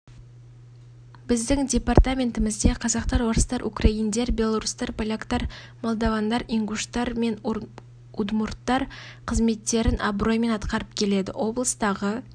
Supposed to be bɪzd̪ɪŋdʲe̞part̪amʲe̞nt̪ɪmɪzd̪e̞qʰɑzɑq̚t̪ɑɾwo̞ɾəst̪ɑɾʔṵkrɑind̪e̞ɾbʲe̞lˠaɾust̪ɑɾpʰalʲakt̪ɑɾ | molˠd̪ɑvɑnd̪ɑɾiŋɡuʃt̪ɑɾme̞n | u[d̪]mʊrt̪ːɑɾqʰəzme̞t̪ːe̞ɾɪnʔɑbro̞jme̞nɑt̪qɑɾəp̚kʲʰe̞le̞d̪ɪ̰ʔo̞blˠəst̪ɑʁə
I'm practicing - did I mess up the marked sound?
no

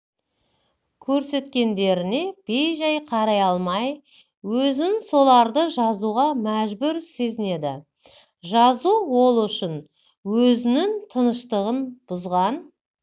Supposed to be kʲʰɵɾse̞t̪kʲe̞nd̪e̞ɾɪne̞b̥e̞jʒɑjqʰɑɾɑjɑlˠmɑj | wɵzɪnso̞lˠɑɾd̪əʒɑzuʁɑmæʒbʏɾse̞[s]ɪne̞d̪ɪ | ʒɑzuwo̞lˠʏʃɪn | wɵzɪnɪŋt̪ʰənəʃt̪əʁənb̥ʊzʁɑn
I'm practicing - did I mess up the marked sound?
yes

